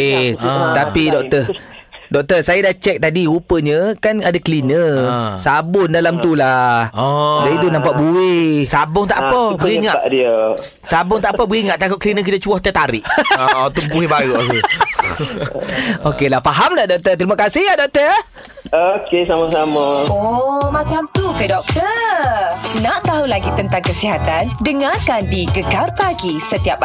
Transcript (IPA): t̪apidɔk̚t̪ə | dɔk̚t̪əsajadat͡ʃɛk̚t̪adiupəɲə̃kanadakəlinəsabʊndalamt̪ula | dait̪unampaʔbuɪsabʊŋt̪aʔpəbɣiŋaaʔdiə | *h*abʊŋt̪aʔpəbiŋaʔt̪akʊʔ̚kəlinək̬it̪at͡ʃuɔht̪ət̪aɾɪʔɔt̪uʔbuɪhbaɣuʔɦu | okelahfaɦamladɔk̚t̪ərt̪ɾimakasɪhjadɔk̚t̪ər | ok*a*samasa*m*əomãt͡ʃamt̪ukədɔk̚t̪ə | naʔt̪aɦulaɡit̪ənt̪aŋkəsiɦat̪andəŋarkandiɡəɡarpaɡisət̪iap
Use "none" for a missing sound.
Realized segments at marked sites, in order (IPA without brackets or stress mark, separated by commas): s, e, m